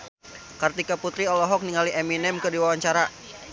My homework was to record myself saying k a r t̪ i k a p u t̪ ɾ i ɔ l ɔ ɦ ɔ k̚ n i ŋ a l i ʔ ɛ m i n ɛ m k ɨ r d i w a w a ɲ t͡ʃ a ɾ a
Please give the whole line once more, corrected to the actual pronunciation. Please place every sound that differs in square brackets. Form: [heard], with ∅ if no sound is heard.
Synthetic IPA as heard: k a r t̪ i k a p u t̪ ɾ i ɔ l ɔ ɦ ɔ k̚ n i ŋ a l i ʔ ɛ m i n ɛ m k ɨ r d i w a w a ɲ t͡ʃ a ɾ a